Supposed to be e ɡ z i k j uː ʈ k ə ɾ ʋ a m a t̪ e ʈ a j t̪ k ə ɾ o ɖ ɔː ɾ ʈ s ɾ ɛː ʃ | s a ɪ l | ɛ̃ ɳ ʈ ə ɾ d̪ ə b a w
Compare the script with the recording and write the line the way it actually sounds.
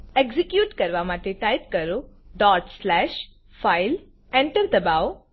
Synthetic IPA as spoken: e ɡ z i k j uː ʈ k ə ɾ ʋ a m a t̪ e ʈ a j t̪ k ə ɾ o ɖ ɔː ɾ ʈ s l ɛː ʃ | f a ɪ l | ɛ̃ ɳ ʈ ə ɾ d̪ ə b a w